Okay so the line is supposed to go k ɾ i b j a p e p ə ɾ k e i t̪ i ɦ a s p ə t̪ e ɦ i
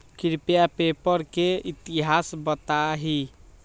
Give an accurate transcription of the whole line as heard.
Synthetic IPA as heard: k ɾ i p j a p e p ə ɾ k e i t̪ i ɦ a s b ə t̪ a ɦ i